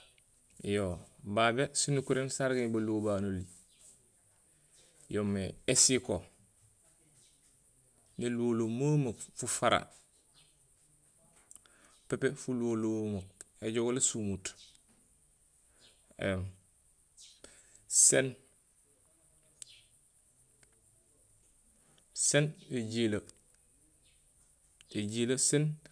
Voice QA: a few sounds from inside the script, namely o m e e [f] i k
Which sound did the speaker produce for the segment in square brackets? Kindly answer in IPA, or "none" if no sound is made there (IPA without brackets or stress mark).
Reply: s